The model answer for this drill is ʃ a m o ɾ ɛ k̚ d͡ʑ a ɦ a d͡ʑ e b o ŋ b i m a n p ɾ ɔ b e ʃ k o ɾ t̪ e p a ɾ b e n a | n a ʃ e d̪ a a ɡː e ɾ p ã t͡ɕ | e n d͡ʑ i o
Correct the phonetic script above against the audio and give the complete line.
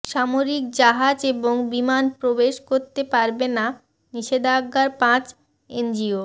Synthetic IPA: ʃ a m o ɾ i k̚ d͡ʑ a ɦ a d͡ʑ e b o ŋ b i m a n p ɾ o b e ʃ k o ɾ t̪ e p a ɾ b e n a | n i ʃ e d̪ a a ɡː a ɾ p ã t͡ɕ | e n d͡ʑ i o